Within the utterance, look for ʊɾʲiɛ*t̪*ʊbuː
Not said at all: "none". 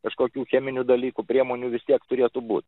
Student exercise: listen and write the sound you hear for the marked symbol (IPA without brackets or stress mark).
t̪